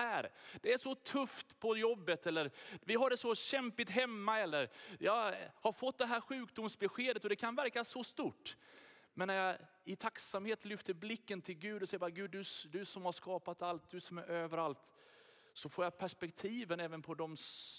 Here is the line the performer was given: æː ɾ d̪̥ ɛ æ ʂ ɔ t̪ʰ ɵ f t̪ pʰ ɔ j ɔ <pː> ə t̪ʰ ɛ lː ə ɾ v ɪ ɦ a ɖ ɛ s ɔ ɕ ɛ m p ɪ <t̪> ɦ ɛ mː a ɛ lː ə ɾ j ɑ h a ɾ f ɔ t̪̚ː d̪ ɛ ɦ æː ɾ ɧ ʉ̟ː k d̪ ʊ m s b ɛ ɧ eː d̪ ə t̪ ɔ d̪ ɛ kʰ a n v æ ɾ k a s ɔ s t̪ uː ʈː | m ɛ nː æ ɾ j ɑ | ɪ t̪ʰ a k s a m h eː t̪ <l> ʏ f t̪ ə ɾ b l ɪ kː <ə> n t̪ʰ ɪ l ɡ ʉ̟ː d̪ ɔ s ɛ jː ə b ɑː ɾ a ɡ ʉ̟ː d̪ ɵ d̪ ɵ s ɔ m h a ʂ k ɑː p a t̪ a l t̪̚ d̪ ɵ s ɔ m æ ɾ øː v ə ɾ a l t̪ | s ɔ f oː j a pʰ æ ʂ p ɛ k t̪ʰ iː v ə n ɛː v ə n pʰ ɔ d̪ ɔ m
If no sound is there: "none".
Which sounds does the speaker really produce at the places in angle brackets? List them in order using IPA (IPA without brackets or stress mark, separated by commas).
bː, t̪, l, ə